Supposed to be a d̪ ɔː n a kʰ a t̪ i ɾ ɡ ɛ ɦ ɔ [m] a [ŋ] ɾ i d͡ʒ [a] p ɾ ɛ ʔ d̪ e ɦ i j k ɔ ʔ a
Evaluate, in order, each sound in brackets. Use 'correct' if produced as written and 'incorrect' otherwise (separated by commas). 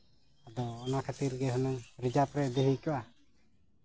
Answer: incorrect, correct, correct